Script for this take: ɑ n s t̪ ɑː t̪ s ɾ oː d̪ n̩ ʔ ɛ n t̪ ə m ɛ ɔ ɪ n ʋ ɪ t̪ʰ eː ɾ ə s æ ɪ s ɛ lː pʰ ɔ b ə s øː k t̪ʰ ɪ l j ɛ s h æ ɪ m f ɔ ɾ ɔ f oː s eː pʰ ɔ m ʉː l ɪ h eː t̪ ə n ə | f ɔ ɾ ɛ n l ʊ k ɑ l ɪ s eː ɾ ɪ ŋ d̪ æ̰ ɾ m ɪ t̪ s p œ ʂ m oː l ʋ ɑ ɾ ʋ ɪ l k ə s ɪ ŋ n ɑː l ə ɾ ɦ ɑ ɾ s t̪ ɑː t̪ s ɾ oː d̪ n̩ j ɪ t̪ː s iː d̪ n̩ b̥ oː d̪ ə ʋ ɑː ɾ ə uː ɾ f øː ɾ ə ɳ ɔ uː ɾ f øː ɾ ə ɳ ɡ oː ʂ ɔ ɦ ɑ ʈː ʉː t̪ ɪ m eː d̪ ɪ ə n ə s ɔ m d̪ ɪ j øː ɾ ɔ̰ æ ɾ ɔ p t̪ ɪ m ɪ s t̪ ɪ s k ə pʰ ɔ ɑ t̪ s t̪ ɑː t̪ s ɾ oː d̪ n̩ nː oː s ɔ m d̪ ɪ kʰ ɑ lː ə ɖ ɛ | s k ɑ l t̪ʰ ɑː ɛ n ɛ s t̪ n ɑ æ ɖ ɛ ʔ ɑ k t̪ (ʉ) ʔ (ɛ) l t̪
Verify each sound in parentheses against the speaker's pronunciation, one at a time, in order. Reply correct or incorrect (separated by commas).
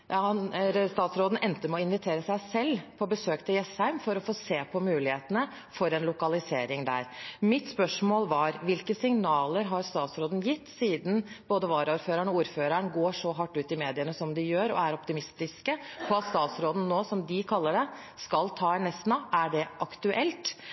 correct, correct